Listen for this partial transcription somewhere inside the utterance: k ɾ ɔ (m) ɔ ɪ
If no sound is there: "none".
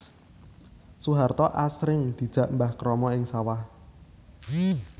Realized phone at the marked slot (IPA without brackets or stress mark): m